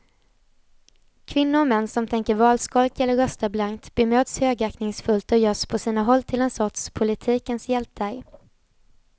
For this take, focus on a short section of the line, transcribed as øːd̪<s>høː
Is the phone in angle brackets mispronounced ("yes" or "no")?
no